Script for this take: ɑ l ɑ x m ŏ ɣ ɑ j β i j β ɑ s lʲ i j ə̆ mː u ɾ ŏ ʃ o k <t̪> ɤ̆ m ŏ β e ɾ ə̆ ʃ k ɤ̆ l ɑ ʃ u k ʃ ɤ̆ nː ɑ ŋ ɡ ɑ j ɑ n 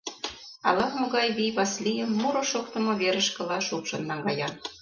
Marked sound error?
no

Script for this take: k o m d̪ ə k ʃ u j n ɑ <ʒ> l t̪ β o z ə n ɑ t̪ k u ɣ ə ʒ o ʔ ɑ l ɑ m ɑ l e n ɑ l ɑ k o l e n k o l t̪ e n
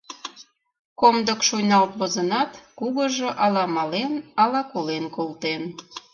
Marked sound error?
yes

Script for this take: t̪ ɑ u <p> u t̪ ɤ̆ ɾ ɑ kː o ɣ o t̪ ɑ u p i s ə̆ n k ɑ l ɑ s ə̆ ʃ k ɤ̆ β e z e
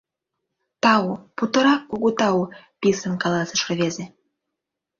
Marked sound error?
no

